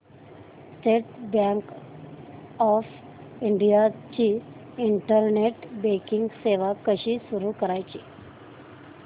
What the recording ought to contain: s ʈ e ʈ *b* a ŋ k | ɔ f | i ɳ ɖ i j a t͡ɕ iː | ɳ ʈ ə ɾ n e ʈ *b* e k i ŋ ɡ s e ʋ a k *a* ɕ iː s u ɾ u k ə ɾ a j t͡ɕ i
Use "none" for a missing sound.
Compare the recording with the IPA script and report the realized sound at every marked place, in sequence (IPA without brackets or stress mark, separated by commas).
b, b, ə